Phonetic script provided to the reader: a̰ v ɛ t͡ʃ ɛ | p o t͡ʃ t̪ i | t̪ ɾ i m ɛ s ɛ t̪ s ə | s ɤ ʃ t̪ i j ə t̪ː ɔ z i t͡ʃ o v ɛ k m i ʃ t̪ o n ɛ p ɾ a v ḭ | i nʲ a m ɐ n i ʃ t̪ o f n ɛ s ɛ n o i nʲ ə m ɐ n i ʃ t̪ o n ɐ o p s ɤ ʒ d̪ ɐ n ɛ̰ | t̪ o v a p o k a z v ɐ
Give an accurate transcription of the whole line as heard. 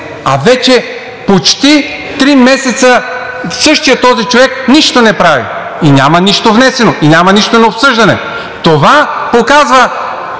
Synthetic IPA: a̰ v ɛ t͡ʃ ɛ | p o t͡ʃ t̪ i | t̪ ɾ i m ɛ s ɛ t̪ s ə | s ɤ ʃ t̪ i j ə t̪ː ɔ z i t͡ʃ o v ɛ k n i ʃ t̪ o n ɛ p ɾ a v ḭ | i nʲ a m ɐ n i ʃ t̪ o v n ɛ s ɛ n o i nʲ a m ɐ n i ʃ t̪ o n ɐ o p s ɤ ʒ d̪ ɐ n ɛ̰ | t̪ o v a p o k a z v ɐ